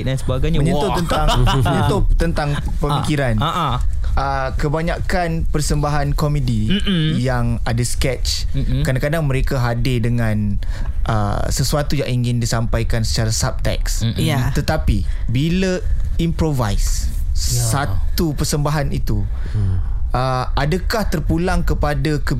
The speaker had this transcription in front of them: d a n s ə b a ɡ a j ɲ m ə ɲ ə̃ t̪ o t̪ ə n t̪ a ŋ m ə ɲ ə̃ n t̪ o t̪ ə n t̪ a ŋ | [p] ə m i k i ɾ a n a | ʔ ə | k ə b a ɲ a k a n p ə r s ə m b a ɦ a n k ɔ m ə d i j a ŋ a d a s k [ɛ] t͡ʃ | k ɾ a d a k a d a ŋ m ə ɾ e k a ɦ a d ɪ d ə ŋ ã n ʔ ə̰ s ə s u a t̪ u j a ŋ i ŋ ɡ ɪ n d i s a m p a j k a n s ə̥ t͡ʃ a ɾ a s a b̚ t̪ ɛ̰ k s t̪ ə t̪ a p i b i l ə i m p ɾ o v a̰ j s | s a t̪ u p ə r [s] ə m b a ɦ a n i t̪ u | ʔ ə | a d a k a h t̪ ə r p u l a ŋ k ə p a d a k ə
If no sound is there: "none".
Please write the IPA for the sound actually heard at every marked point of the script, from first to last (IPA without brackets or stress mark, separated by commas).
p, ɛ, s